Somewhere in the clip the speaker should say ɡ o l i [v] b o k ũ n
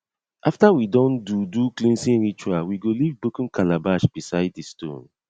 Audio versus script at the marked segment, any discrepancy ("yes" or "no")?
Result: no